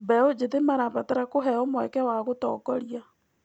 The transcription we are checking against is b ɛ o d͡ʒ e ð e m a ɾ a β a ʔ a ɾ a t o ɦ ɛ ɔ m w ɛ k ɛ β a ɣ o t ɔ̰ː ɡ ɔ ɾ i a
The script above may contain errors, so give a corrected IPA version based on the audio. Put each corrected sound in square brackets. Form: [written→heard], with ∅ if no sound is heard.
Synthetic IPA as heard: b ɛ o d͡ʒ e ð e m a ɾ a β a [ʔ→t] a ɾ a [t→k] o ɦ ɛ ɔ m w ɛ k ɛ [β→w] a ɣ o t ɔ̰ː [ɡ→k] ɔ ɾ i a